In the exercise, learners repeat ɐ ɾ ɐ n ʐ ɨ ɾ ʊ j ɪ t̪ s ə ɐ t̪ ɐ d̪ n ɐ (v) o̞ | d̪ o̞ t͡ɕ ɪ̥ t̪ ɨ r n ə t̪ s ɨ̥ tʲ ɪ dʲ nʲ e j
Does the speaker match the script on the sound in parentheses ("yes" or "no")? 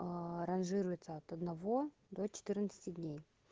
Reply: yes